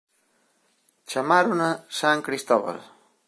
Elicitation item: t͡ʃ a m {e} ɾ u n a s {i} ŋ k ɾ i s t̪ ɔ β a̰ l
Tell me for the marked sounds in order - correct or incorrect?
incorrect: a, incorrect: a

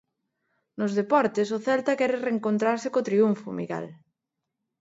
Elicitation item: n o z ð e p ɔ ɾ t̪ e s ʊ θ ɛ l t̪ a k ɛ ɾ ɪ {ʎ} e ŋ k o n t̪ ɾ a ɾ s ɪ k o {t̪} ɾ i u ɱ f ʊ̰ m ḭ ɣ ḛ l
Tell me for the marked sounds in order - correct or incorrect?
incorrect: r, correct

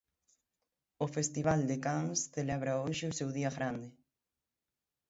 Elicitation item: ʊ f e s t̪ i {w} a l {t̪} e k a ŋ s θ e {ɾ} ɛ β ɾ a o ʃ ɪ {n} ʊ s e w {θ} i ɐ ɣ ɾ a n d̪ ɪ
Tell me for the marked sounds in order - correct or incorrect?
incorrect: β, incorrect: d̪, incorrect: l, incorrect: none, incorrect: ð

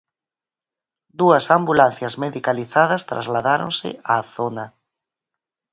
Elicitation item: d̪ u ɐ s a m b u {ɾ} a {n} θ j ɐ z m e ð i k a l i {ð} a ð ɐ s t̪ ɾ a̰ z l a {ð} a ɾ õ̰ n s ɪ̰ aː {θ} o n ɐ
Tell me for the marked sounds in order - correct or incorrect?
incorrect: l, correct, incorrect: θ, correct, correct

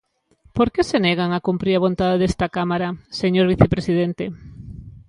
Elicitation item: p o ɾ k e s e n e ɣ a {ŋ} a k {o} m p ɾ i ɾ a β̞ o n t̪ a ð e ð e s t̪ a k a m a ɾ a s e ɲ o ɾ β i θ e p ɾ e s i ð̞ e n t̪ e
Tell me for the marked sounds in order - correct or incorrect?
correct, incorrect: u

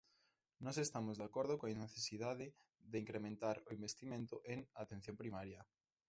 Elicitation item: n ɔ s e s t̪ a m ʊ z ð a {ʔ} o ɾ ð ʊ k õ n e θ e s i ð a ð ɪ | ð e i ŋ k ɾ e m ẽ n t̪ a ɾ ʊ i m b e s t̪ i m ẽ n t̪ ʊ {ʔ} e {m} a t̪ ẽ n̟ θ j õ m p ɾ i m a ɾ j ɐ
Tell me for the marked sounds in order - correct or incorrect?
incorrect: k, correct, incorrect: ŋ

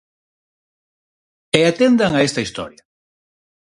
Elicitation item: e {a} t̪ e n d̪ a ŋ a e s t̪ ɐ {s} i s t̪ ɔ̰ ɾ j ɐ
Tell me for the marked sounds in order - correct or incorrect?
correct, incorrect: none

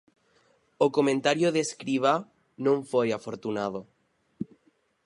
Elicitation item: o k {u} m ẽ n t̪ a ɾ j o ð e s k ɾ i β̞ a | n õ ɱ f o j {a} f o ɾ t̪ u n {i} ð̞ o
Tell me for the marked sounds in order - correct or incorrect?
incorrect: o, correct, incorrect: a

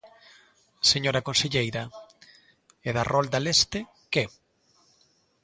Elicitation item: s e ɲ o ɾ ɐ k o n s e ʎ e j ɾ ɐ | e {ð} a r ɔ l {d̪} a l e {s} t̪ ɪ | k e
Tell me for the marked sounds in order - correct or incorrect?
correct, correct, correct

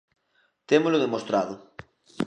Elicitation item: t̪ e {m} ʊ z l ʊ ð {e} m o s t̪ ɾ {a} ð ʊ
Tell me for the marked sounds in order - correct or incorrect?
correct, correct, correct

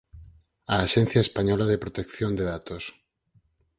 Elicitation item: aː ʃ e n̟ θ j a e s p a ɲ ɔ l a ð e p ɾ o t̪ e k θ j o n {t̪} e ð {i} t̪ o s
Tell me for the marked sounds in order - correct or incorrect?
incorrect: d̪, incorrect: a

